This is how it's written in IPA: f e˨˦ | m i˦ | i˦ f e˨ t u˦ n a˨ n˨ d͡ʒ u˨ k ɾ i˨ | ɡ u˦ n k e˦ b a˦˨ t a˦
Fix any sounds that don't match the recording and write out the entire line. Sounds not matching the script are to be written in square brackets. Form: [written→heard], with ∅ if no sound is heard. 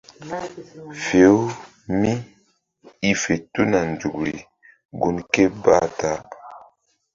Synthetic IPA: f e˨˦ | m i˦ | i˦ f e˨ t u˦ n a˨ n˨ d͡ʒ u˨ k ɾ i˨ | ɡ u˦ n k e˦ b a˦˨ t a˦